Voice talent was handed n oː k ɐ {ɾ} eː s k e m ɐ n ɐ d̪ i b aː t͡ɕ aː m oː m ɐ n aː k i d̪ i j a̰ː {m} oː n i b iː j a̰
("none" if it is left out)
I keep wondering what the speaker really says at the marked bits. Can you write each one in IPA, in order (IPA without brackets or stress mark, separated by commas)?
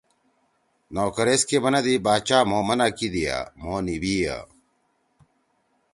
ɾ, m